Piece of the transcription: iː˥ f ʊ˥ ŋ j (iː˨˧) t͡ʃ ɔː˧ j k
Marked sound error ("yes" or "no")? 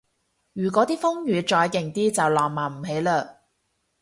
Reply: yes